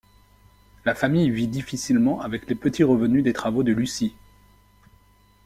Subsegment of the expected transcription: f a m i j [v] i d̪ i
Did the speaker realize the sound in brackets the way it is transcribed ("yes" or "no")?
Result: yes